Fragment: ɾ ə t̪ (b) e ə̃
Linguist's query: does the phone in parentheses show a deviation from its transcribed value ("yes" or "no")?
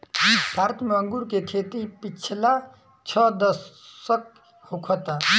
yes